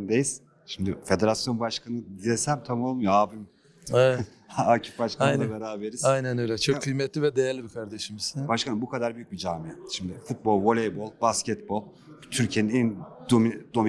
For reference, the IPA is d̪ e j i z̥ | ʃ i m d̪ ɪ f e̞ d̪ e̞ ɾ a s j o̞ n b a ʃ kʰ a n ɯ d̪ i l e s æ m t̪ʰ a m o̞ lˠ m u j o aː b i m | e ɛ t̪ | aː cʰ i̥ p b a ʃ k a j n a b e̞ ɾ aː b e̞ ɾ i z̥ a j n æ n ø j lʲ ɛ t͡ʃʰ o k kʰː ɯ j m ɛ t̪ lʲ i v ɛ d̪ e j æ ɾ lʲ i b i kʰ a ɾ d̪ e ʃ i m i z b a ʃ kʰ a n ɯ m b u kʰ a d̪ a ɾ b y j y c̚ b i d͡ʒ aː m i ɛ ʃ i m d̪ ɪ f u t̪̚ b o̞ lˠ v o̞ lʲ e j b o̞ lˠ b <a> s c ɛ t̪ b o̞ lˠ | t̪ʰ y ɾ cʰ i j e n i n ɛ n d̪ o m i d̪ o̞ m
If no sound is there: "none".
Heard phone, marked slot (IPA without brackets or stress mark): a